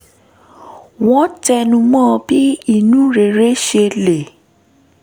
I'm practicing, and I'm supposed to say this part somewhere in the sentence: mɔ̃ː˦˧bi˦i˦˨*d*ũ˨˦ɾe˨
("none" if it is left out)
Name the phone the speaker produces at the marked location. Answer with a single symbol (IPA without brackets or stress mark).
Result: n